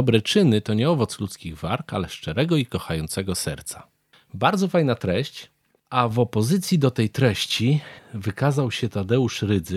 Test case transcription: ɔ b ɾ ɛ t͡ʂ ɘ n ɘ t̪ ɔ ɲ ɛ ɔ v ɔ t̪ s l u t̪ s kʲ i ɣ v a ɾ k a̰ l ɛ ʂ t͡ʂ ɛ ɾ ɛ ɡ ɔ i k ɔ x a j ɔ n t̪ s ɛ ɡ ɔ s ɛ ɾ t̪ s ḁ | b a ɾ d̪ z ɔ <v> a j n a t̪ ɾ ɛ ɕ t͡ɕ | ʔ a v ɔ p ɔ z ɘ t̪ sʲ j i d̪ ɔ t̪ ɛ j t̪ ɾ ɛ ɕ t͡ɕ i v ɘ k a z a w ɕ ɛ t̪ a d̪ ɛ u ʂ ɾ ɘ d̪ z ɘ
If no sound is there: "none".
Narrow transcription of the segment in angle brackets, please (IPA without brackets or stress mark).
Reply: f